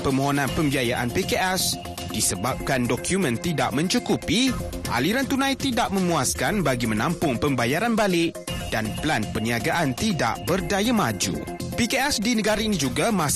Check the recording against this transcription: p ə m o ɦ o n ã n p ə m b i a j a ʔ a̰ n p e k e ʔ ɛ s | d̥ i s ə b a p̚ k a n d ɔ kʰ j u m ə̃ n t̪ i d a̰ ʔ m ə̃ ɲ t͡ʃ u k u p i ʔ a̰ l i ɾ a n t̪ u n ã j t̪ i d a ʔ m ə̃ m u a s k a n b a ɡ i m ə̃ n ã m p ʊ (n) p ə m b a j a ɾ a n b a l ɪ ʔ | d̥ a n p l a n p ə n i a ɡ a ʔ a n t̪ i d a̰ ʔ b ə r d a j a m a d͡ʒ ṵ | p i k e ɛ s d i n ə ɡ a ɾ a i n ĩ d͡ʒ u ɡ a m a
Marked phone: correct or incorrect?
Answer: incorrect